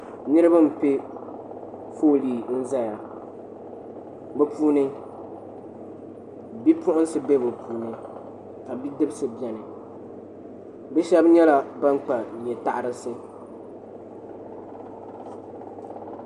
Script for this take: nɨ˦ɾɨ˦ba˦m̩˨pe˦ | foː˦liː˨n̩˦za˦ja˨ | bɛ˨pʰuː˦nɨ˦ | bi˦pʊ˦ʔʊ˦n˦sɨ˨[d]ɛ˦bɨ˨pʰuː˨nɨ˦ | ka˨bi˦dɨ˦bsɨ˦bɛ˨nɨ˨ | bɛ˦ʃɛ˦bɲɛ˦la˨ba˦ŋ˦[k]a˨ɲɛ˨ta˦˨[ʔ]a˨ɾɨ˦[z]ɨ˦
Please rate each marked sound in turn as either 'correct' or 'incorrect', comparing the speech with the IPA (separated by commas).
incorrect, incorrect, correct, incorrect